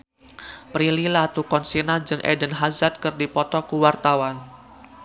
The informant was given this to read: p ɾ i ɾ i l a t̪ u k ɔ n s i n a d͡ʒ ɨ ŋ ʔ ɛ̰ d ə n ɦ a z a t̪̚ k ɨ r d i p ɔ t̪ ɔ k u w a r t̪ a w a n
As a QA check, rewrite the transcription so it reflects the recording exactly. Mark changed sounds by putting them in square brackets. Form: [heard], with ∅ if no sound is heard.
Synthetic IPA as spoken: p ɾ i [l] i l a t̪ u k ɔ n s i n a d͡ʒ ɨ ŋ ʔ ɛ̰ d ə n ɦ a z a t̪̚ k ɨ r d i p ɔ t̪ ɔ k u w a r t̪ a w a n